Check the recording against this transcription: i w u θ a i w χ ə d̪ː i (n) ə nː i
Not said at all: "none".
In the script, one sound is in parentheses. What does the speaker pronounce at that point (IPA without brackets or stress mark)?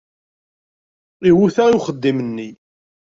m